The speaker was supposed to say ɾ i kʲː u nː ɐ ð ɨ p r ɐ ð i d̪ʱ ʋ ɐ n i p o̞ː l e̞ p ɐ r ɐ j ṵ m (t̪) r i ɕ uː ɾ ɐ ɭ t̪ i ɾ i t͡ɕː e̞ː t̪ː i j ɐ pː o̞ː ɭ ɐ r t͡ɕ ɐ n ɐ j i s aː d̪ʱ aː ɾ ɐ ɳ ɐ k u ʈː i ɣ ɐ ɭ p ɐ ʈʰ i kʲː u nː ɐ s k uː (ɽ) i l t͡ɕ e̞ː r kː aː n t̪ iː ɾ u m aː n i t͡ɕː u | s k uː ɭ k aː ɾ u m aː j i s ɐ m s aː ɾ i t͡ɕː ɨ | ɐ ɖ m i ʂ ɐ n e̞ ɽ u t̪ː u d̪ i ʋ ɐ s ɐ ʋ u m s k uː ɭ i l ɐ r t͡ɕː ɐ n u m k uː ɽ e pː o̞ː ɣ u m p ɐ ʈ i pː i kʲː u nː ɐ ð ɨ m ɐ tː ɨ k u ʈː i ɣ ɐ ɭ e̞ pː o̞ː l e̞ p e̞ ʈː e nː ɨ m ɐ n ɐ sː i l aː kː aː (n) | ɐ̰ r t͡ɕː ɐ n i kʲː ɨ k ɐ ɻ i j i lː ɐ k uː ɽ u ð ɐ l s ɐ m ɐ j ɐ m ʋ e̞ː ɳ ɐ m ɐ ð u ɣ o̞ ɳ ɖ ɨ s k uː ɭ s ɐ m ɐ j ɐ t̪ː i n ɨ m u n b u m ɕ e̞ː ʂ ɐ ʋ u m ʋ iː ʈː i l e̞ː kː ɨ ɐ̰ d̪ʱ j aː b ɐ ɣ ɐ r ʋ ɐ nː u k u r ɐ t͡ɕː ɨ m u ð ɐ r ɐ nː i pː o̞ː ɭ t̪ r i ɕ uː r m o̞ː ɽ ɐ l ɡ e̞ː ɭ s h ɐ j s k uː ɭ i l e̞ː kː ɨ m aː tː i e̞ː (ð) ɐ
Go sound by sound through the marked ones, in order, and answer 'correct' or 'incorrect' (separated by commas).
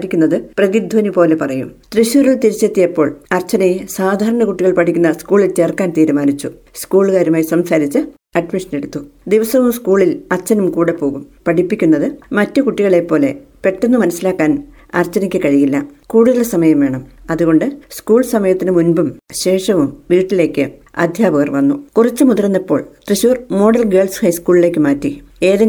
correct, incorrect, correct, correct